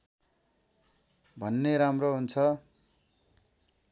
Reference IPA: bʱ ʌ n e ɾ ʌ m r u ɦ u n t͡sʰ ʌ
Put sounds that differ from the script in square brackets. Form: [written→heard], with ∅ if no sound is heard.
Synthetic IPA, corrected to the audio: bʱ ʌ [n→nː] e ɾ [ʌ→a] m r [u→o] ɦ u n t͡sʰ ʌ